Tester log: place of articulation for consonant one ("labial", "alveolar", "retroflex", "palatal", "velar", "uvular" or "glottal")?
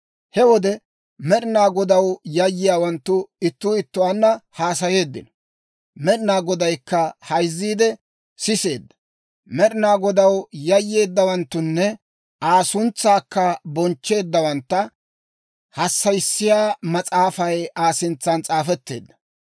glottal